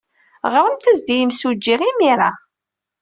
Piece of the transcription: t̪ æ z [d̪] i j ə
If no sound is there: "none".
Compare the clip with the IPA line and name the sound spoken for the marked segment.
d̪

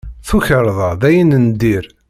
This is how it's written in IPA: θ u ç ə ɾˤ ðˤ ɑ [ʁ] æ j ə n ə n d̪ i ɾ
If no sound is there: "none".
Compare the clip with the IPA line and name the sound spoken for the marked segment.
ð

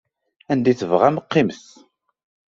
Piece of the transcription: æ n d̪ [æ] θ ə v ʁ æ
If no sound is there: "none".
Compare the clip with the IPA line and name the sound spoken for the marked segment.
i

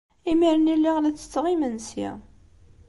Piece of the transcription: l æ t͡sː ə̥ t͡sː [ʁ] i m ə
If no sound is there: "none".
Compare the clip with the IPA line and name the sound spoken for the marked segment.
ʁ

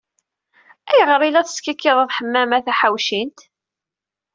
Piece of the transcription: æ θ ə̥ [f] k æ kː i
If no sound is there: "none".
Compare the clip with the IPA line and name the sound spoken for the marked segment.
s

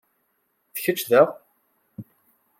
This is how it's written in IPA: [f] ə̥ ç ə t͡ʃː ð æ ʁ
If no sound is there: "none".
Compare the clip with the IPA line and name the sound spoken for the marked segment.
θ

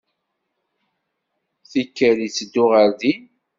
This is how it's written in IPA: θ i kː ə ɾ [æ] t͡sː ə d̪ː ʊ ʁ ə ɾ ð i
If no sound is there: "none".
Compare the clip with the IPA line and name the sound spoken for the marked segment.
i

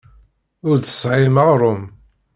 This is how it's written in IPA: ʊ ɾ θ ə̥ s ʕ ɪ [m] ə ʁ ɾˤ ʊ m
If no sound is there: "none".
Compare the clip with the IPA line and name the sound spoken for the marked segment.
m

